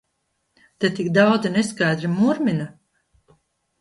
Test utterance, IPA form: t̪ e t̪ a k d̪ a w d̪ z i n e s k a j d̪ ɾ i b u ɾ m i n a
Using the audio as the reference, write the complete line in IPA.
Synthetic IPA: t̪ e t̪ i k d̪ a w d̪ z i n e s k a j d̪ ɾ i m u ɾ m i n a